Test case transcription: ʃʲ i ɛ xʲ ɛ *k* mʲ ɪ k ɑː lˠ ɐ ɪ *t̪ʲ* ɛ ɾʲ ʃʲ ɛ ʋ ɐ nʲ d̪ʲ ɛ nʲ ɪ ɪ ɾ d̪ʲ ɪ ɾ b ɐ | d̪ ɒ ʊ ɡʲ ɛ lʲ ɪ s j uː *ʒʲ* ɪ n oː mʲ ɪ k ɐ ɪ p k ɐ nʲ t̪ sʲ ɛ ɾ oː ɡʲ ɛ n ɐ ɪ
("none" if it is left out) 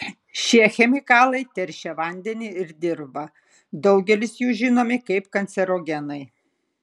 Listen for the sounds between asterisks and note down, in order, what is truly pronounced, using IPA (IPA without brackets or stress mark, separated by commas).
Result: none, t̪ʲ, ʒʲ